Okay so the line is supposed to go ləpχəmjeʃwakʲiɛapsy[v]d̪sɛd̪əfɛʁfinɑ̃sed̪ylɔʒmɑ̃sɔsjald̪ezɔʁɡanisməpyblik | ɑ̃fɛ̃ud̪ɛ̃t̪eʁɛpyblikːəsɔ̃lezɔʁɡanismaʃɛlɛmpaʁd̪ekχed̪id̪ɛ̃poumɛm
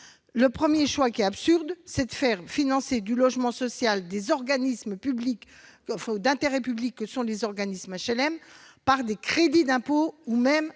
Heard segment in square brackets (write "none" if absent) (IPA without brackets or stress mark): ʁ